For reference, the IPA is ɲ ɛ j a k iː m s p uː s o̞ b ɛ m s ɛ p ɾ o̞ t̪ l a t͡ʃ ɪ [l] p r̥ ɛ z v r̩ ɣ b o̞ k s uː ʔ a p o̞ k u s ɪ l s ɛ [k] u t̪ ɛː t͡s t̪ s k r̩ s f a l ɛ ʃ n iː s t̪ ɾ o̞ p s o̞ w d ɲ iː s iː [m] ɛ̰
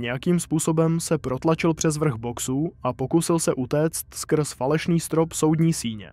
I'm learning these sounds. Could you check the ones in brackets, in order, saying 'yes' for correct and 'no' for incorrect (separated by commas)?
yes, no, no